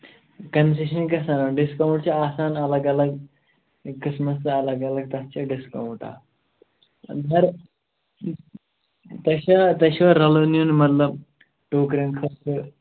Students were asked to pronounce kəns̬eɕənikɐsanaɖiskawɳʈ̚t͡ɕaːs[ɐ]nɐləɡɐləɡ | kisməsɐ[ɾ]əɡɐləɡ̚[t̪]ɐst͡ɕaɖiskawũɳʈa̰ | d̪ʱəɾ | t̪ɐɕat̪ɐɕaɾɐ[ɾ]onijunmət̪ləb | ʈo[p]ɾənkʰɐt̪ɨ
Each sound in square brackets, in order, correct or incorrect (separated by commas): incorrect, incorrect, correct, incorrect, incorrect